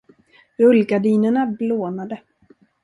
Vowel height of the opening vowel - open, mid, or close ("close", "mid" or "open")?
mid